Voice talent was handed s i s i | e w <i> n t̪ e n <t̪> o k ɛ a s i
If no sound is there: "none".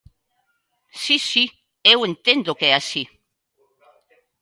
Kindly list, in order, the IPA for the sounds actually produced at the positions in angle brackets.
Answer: e, d̪

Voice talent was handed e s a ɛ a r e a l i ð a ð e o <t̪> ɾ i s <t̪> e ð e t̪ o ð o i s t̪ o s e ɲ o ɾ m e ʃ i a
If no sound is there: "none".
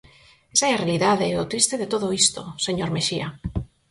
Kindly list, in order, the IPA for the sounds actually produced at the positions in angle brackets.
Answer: t̪, t̪

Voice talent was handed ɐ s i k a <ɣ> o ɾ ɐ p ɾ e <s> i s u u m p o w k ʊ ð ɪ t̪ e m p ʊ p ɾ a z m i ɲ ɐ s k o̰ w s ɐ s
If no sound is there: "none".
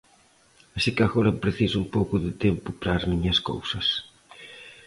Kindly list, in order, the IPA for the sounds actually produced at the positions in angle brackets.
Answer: ɣ, θ

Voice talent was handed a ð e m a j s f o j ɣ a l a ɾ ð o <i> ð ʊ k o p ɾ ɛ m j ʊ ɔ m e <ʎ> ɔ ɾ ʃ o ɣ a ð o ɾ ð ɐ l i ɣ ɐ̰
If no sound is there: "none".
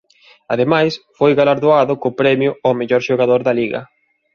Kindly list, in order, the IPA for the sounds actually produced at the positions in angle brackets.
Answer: a, ʎ

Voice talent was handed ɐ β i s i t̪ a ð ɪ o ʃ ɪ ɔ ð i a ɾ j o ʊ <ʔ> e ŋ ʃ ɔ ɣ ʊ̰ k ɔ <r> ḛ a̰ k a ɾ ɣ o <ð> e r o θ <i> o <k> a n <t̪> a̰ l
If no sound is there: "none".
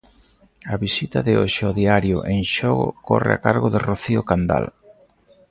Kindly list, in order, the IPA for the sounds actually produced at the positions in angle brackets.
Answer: ʔ, r, ð, i, k, d̪

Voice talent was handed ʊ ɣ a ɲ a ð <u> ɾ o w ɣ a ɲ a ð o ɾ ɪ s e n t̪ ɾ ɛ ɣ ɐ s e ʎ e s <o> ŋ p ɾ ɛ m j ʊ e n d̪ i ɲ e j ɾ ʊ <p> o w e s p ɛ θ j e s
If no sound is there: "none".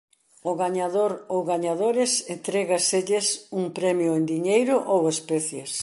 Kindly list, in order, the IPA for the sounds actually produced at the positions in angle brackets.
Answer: o, u, ʔ

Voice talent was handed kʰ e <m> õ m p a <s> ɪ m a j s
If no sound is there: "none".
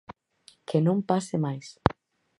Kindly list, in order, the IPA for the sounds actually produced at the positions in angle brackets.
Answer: n, s

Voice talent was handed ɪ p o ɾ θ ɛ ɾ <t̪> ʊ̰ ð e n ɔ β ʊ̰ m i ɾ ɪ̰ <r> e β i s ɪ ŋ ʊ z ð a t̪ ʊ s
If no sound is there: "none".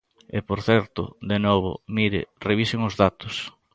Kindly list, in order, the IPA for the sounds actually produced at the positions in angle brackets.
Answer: t̪, r

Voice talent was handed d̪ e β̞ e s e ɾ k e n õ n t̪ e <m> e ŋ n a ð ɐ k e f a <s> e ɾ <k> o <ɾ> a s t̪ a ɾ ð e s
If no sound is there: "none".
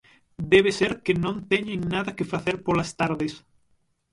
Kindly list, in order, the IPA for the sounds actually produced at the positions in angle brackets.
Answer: ɲ, θ, p, l

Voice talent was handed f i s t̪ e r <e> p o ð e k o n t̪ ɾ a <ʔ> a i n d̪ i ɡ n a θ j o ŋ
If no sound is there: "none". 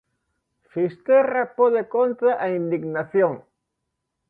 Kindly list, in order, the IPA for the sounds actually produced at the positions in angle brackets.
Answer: a, ʔ

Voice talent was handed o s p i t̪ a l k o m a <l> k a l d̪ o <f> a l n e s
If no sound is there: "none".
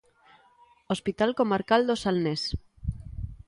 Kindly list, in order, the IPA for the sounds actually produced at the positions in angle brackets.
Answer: ɾ, s

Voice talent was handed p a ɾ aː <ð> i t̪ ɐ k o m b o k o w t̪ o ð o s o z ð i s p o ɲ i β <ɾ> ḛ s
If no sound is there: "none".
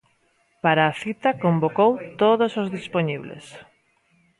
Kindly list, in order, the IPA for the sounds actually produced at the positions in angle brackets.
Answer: θ, l

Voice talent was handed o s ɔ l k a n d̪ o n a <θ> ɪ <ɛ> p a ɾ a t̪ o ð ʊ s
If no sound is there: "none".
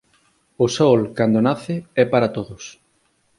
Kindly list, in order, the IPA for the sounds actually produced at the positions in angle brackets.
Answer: θ, ɛ

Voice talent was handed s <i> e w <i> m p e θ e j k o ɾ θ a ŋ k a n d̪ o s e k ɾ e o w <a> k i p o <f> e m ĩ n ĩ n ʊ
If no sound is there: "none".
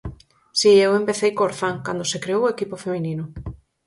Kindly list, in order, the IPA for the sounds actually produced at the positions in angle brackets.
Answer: i, e, e, f

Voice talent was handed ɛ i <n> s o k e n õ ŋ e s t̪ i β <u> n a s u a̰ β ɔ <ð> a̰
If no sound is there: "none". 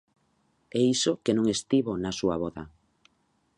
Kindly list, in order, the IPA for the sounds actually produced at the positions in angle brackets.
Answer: none, o, ð

